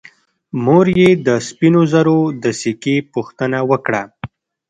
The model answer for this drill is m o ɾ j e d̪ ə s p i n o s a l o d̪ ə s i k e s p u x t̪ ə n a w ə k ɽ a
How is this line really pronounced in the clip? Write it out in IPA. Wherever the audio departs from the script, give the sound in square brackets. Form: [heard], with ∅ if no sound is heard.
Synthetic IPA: m o ɾ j e d̪ ə s p i n o [z] a [ɾ] o d̪ ə s i k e [∅] p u x t̪ ə n a w ə k ɽ a